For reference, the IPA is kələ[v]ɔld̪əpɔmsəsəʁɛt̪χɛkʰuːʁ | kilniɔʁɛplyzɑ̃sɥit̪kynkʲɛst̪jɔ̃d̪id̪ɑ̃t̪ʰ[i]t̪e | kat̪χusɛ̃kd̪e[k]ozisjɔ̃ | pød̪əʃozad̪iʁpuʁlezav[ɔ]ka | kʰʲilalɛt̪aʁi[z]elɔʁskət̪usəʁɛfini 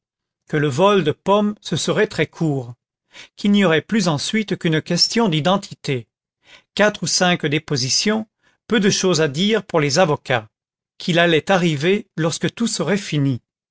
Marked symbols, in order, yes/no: yes, yes, no, yes, no

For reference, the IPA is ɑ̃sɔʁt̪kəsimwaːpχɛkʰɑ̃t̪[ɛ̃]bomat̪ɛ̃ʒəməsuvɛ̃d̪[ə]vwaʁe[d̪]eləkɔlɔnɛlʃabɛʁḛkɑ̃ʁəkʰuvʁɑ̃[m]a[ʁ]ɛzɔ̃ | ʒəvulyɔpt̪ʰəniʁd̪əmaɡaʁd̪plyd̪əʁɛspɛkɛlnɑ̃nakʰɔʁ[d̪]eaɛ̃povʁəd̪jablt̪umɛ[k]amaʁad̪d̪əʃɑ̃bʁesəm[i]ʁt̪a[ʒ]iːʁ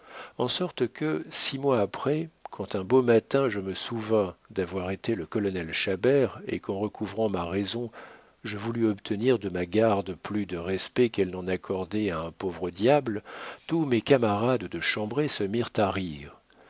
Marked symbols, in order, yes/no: yes, no, no, yes, yes, yes, yes, yes, no

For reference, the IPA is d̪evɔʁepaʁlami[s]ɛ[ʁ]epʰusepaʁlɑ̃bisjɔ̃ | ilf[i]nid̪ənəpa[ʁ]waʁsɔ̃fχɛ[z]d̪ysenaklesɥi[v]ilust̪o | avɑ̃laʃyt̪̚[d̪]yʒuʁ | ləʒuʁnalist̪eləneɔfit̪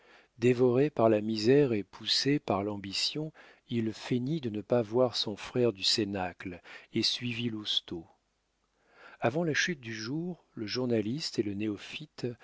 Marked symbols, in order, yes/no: no, yes, no, no, no, yes, yes

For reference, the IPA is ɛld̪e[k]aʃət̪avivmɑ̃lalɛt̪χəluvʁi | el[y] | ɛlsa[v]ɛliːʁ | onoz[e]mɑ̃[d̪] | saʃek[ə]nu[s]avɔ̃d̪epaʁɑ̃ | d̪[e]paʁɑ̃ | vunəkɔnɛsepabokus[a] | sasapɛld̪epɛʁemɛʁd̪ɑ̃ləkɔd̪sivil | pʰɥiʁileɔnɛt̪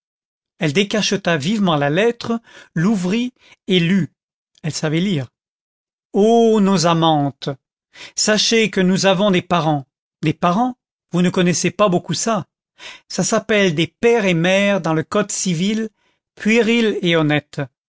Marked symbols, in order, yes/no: yes, yes, yes, no, no, yes, no, yes, yes

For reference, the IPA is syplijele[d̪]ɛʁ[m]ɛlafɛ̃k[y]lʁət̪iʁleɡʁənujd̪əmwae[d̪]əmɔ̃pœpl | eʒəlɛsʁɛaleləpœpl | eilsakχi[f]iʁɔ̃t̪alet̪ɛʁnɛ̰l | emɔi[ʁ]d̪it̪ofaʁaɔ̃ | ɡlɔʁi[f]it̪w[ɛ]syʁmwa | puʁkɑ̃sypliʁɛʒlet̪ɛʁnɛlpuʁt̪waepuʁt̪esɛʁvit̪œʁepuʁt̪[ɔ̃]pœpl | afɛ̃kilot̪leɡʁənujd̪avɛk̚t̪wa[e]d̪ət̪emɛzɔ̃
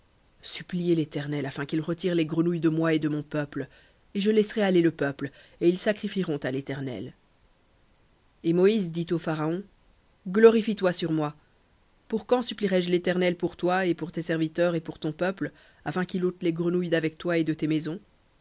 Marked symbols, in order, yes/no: no, no, no, yes, yes, no, yes, no, yes, yes

